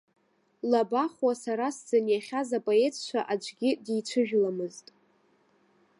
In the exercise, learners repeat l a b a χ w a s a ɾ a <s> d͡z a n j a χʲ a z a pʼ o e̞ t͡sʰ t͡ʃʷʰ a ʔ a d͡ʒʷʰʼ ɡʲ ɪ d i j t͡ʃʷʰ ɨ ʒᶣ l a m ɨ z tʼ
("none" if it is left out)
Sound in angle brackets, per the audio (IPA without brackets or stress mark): s